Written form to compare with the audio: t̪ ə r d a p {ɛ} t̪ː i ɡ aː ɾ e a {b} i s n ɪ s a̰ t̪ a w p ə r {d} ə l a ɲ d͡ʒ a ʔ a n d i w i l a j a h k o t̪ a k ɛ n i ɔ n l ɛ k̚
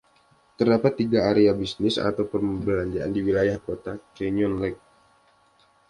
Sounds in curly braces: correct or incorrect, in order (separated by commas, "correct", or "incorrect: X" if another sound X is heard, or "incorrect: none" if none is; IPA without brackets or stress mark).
incorrect: a, correct, incorrect: b